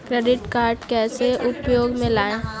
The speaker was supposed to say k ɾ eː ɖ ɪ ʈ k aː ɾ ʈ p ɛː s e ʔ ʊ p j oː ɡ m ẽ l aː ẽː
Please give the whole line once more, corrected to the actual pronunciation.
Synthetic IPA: k ɾ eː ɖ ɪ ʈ k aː ɾ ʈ k ɛː s e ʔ ʊ p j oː ɡ m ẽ l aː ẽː